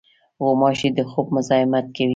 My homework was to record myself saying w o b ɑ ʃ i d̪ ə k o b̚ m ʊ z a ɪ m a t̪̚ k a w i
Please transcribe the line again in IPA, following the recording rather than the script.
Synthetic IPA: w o m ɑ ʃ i d̪ ə x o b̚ m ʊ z ɑ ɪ m a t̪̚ k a w i